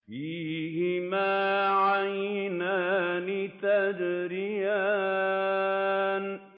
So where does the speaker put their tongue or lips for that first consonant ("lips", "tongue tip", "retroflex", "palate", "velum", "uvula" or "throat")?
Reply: lips